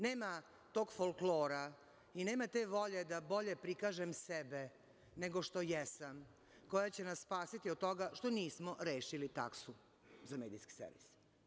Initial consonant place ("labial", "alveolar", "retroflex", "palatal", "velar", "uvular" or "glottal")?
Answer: alveolar